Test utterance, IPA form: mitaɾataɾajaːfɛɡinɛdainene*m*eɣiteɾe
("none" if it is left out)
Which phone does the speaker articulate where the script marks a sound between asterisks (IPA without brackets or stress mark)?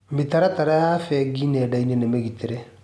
m